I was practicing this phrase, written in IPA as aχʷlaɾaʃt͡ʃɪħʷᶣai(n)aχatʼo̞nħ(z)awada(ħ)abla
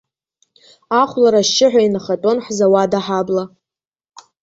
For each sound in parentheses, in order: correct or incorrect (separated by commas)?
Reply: correct, correct, correct